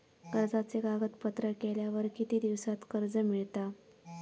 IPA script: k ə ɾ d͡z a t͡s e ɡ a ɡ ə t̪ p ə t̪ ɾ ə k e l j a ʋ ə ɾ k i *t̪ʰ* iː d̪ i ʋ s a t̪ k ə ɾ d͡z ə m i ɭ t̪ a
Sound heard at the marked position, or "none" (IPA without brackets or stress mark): t̪